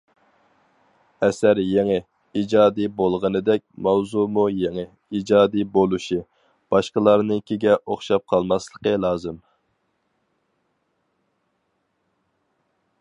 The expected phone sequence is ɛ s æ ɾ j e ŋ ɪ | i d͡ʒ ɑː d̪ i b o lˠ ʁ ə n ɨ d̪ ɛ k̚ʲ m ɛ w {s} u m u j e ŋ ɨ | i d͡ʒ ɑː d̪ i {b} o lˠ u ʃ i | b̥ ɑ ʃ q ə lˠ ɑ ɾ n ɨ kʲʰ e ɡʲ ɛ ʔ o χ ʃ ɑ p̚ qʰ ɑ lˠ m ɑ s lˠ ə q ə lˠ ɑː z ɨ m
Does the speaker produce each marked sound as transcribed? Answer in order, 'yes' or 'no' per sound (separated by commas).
no, yes